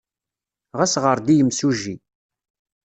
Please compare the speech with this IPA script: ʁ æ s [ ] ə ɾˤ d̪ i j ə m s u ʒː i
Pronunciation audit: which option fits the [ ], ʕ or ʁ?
ʁ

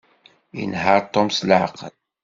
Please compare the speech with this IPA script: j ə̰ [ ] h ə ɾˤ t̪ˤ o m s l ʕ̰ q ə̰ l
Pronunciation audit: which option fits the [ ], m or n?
n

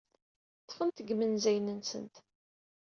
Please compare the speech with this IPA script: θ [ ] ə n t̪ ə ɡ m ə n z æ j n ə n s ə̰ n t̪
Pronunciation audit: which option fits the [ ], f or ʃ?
f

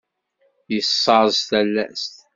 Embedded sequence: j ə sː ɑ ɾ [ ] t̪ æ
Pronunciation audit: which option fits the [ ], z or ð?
z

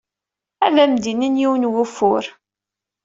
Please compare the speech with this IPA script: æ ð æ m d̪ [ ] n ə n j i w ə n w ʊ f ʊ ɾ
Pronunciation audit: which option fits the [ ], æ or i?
i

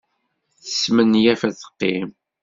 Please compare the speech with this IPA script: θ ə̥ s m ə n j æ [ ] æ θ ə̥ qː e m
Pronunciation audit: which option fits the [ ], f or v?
f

